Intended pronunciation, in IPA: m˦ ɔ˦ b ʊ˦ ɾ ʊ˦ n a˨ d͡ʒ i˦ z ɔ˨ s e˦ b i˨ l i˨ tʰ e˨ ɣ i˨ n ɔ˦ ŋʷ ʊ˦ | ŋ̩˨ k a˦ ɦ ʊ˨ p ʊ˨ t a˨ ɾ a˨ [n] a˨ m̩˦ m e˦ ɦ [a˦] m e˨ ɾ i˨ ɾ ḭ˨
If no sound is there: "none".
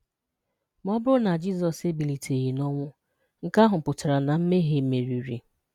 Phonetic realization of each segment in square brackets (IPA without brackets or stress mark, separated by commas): n, e˦